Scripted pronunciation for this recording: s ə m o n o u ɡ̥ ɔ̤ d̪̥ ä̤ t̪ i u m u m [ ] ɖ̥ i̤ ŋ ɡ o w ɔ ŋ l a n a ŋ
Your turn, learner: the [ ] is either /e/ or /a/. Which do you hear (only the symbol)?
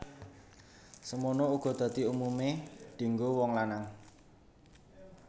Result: e